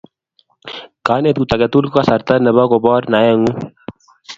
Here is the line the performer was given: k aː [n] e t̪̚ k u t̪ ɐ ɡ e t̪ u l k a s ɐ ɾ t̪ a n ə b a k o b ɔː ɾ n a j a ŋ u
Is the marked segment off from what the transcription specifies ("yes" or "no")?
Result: no